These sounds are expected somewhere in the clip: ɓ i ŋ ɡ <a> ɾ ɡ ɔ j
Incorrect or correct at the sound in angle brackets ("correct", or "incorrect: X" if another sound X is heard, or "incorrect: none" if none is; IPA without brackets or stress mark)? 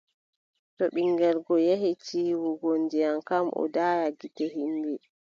incorrect: ɛ